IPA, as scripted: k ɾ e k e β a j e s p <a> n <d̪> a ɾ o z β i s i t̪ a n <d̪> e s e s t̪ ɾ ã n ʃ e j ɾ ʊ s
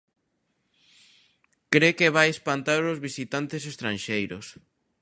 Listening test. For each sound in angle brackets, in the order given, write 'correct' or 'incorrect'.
correct, incorrect: t̪, incorrect: t̪

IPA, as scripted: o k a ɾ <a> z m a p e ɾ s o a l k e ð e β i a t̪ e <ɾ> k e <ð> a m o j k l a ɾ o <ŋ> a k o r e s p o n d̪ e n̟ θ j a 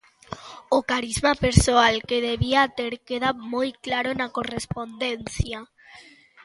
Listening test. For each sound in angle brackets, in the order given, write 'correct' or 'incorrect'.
incorrect: i, correct, correct, incorrect: n

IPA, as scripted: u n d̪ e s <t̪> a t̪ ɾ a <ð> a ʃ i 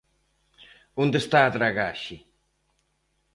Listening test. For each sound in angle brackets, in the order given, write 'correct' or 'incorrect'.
correct, incorrect: ɣ

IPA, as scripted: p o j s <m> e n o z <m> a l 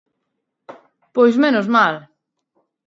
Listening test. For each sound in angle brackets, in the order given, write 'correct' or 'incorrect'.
correct, correct

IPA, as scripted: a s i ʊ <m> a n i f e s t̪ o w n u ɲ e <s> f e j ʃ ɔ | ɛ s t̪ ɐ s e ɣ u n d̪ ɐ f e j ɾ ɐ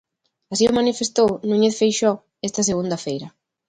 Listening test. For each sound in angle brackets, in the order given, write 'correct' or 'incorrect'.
correct, incorrect: θ

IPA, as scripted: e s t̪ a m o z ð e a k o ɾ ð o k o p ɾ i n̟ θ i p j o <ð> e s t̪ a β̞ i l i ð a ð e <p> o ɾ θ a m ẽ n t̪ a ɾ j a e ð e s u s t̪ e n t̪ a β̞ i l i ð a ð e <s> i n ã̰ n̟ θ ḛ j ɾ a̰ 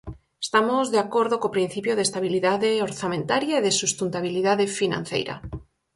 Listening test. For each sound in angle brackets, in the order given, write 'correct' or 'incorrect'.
correct, incorrect: none, incorrect: f

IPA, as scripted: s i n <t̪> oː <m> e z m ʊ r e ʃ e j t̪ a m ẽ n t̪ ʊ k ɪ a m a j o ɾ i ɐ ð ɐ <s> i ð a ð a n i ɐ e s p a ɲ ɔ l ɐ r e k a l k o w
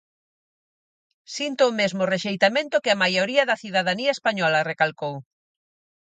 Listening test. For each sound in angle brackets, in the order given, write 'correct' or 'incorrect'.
correct, correct, incorrect: θ

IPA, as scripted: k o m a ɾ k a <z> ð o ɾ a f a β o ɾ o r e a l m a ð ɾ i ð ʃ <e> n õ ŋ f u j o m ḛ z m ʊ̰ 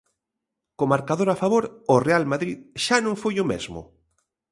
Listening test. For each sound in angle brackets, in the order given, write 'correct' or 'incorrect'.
incorrect: none, incorrect: a

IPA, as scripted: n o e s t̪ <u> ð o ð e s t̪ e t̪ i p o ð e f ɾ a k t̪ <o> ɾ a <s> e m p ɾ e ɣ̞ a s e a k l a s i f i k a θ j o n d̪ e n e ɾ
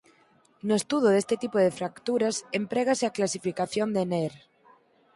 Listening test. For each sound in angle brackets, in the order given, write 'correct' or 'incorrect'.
correct, incorrect: u, correct

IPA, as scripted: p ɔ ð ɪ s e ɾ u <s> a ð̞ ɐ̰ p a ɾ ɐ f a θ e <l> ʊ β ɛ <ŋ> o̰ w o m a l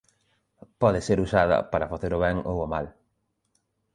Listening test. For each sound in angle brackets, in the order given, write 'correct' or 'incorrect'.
correct, incorrect: ɾ, correct

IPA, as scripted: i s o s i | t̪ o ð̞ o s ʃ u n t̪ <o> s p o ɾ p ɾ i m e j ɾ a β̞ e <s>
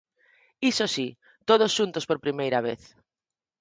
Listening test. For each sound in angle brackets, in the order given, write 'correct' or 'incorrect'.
correct, incorrect: θ

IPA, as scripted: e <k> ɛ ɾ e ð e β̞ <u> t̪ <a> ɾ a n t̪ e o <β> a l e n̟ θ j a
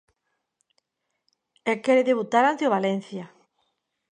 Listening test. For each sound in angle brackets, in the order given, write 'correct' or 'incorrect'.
correct, correct, correct, correct

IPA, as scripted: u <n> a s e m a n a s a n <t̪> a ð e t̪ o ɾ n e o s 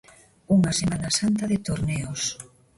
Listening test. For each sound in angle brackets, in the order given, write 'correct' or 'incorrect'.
incorrect: ŋ, correct

